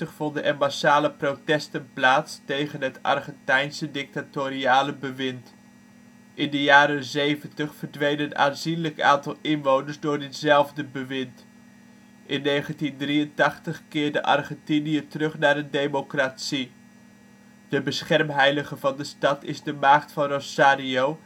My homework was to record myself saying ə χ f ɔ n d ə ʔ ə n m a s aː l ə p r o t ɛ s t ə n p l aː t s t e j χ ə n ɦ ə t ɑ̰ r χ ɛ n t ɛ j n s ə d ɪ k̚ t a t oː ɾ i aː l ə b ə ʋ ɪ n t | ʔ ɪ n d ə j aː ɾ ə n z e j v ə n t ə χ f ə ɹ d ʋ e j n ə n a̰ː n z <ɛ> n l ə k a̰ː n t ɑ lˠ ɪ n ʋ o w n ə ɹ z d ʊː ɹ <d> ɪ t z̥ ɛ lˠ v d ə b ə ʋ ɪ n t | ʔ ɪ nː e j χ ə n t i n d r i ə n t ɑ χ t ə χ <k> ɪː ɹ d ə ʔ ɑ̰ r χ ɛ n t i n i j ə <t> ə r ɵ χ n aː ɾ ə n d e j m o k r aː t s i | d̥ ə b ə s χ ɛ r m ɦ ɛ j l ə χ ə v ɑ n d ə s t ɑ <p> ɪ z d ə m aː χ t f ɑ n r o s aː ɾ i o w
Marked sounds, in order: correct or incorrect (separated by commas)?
incorrect, correct, correct, correct, incorrect